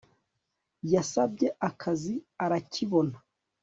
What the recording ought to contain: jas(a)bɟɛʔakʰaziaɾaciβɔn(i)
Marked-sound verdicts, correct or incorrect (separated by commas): correct, incorrect